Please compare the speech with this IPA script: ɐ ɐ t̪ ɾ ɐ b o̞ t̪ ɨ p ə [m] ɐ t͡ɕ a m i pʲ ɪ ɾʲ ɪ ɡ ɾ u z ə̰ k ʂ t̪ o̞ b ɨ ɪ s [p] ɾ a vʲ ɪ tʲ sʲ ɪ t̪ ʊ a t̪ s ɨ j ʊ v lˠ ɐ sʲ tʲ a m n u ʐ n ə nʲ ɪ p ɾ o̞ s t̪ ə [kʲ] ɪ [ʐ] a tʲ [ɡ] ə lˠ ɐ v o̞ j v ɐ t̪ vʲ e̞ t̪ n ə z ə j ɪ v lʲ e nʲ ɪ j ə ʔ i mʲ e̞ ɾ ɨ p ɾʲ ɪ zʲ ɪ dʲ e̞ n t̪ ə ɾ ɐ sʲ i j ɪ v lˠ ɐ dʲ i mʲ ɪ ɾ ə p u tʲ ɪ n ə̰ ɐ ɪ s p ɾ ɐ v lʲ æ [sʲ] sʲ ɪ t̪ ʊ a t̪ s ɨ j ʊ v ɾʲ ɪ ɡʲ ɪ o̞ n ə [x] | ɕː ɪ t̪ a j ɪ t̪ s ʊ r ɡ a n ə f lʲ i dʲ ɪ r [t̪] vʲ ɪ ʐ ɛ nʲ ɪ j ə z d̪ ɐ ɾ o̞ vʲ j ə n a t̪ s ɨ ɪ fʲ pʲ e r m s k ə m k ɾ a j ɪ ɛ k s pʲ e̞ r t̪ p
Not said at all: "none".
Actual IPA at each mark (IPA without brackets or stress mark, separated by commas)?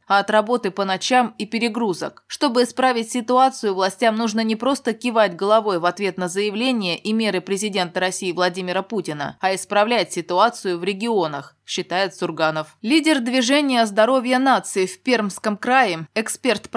n, p, kʲ, v, ɡ, tʲ, x, d̪